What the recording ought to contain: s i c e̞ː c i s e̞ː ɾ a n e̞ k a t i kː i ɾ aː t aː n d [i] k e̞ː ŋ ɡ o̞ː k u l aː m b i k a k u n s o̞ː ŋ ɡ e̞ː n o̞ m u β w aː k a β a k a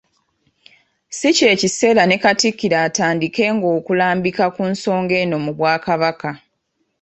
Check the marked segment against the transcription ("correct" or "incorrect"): correct